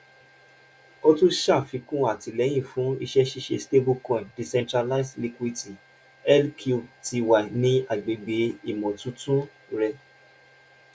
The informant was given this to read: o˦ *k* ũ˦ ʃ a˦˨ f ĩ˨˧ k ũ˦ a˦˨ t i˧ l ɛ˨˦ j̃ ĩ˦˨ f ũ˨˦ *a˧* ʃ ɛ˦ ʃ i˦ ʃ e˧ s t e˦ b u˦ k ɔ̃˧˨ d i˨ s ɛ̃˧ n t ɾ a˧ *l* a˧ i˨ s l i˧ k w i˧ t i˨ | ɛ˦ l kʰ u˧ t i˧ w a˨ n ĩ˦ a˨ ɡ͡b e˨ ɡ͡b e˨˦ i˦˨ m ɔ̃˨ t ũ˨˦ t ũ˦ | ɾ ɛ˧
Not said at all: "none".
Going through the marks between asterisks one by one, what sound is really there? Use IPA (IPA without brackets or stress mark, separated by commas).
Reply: t, i˧, l